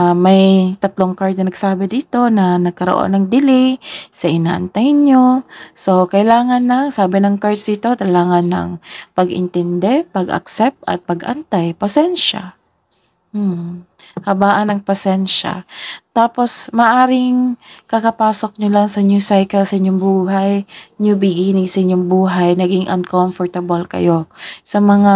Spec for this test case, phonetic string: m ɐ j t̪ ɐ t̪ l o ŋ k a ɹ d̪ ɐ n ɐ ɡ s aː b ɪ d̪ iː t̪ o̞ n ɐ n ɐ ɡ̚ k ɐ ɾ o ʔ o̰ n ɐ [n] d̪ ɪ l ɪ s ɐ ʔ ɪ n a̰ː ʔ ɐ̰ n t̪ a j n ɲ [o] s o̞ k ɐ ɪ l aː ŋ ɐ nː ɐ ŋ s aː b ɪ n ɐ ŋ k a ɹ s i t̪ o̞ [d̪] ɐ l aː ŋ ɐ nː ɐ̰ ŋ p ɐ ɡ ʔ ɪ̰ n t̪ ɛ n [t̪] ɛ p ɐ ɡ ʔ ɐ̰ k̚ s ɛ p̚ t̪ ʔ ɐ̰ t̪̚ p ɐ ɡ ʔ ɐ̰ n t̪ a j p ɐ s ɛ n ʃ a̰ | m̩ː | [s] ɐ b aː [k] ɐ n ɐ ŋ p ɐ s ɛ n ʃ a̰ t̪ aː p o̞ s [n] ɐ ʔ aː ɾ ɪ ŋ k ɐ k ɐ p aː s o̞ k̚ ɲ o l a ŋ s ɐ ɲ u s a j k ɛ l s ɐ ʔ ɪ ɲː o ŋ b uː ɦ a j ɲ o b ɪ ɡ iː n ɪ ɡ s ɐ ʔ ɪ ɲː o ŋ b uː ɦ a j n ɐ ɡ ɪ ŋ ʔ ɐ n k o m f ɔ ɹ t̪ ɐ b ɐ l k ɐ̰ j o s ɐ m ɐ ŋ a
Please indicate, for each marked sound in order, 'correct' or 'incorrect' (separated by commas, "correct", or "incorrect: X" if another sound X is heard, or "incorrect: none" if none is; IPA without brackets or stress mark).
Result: incorrect: ŋ, correct, incorrect: t̪, incorrect: d̪, incorrect: h, incorrect: ʔ, incorrect: m